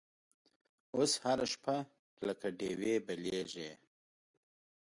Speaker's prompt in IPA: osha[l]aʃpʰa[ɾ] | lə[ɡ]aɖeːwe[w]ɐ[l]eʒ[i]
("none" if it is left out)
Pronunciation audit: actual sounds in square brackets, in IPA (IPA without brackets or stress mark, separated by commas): ɾ, none, k, b, l, e